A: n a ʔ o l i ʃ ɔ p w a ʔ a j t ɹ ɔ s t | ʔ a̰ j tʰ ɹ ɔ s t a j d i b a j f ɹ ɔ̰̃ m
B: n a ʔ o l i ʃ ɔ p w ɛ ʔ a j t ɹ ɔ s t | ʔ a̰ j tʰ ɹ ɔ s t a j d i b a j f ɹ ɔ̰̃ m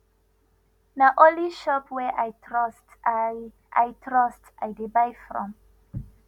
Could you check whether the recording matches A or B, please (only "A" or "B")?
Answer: B